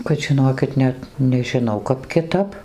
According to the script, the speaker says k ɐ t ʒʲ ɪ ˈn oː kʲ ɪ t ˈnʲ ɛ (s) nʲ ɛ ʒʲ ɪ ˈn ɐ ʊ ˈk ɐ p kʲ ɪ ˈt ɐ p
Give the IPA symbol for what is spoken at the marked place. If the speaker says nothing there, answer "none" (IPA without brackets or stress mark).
t